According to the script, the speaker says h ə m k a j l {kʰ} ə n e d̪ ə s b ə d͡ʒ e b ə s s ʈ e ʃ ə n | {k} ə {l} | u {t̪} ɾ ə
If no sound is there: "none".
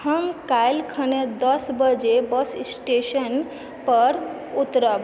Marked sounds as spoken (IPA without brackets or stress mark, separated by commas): kʰ, p, ɾ, t̪